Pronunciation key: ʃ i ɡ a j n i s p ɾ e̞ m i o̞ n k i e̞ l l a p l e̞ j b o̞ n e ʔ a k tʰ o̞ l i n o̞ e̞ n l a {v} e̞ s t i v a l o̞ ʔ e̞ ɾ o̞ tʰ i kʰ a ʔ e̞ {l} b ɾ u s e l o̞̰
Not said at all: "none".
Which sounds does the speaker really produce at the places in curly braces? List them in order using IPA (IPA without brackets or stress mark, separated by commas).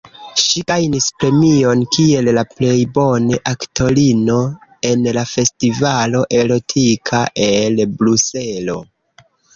f, l